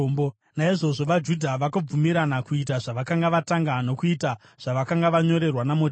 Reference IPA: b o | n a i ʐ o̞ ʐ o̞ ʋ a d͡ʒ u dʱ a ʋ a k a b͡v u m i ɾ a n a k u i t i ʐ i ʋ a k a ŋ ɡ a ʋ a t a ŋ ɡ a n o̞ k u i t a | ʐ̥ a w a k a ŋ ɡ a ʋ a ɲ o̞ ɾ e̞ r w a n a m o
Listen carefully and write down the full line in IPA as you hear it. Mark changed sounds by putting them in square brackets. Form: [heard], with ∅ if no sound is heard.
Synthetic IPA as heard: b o | n a i ʐ o̞ ʐ o̞ ʋ a d͡ʒ u dʱ a ʋ a k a b͡v u m i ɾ a n a k u i t [a] ʐ [a] ʋ a k a ŋ ɡ a ʋ a t a ŋ ɡ a n o̞ k u i t a | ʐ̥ a [ʋ] a k a ŋ ɡ a ʋ a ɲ o̞ ɾ e̞ r w a n a m o